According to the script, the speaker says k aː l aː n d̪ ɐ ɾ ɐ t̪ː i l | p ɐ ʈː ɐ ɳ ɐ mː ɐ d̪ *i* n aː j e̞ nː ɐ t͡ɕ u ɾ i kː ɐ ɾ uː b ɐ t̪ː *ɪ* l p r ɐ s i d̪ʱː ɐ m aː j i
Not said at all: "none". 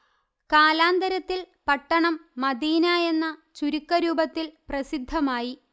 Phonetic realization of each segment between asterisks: iː, i

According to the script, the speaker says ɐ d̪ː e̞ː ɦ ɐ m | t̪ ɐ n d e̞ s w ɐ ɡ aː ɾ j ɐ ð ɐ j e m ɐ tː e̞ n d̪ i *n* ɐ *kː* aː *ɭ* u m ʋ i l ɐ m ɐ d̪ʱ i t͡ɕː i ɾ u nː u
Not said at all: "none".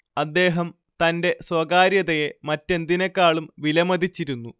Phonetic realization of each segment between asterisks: n, kː, ɭ

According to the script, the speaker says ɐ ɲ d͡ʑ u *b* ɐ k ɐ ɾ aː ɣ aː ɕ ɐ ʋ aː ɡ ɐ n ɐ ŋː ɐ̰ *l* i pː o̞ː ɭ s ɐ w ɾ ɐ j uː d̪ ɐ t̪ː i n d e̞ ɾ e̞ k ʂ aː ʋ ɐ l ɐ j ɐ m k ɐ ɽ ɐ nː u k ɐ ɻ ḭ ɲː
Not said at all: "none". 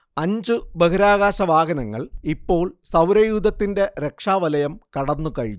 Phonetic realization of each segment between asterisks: b, ɭ

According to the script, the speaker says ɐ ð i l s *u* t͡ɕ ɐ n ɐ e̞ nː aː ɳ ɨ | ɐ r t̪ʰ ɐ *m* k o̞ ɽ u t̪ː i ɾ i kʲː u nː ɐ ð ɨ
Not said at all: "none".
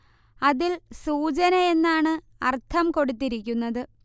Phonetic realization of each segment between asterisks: uː, m

